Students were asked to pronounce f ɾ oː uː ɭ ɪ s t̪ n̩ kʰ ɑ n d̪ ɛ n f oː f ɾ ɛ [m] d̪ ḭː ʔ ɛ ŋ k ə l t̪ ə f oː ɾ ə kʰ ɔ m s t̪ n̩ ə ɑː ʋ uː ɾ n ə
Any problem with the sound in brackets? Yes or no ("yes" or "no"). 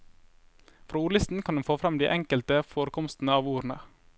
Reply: no